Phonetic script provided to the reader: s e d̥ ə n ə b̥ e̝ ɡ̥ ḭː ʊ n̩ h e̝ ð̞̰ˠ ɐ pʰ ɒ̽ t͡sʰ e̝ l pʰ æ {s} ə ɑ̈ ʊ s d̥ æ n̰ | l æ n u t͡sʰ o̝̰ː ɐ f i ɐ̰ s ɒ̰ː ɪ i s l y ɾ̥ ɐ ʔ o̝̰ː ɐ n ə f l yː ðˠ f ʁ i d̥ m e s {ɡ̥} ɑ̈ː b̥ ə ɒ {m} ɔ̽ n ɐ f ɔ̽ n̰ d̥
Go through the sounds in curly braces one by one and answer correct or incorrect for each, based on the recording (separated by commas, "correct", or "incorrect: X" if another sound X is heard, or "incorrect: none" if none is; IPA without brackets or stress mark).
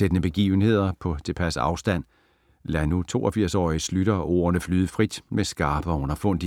correct, correct, incorrect: none